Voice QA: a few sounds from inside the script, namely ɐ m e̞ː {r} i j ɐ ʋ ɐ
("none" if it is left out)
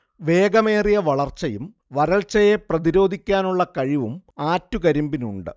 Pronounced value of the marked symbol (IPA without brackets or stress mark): r